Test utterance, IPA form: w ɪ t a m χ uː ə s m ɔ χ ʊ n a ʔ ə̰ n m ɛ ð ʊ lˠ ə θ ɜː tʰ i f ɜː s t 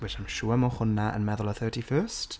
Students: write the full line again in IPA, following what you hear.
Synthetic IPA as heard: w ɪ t a m ʃ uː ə m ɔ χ ʊ n a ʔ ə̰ n m ɛ ð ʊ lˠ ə θ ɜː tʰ i f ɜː s t

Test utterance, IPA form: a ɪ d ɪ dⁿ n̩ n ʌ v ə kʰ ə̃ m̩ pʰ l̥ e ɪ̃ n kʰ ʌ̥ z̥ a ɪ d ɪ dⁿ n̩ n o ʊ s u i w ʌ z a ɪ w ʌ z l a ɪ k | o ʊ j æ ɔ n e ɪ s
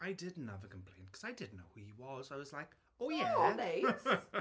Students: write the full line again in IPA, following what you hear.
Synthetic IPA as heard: a ɪ d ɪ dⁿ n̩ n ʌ v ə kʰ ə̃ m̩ pʰ l̥ ẽ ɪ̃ n kʰ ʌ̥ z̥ a ɪ d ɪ dⁿ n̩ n o ʊ h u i w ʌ z a ɪ w ʌ z l a ɪ k | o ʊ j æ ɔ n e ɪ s

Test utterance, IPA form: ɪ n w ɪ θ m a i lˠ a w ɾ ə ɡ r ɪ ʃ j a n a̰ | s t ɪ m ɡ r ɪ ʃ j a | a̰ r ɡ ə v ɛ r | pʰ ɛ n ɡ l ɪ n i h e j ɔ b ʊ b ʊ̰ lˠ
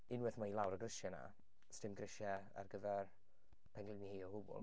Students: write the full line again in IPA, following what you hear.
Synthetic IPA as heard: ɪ n w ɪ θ m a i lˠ a w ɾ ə ɡ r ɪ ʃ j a n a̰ | s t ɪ m ɡ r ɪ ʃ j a | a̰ r ɡ ə v ɛ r | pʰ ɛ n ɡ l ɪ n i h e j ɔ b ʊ b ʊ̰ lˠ

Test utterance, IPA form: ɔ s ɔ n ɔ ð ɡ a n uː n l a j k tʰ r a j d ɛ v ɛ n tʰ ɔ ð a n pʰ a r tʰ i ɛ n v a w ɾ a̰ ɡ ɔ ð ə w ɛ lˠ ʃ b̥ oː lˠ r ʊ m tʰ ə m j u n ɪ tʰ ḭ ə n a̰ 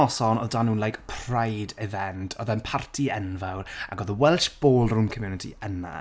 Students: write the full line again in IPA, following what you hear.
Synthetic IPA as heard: ɔ s ɔ n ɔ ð d a n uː n l a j k pʰ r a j d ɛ v ɛ n tʰ ɔ ð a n pʰ a r tʰ i ɛ n v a w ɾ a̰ ɡ ɔ ð ə w ɛ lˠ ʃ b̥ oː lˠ r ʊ m kʰ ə m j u n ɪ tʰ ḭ ə n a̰

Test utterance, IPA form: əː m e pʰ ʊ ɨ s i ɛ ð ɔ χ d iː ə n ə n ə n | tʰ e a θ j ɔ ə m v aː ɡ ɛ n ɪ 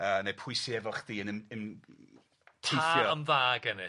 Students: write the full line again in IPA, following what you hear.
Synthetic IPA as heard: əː n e pʰ ʊ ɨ s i ɛ v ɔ χ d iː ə n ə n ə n | tʰ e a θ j ɔ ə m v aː ɡ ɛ n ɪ

